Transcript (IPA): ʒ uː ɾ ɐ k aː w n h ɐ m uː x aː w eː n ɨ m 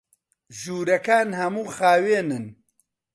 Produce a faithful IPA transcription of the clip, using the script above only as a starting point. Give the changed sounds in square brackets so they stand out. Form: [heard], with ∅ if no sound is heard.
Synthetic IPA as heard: ʒ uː ɾ ɐ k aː [∅] n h ɐ m uː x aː w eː n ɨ [n]